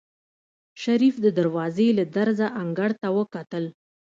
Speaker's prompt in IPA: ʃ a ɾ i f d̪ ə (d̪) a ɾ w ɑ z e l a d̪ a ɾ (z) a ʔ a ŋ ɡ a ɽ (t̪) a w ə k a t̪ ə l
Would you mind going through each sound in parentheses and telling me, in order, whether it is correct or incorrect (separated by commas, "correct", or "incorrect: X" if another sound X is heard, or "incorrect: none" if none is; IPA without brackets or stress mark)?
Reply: correct, correct, correct